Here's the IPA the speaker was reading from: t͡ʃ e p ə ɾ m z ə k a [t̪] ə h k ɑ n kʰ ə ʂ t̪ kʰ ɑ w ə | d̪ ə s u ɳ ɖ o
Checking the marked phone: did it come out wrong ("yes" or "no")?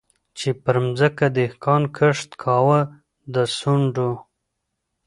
yes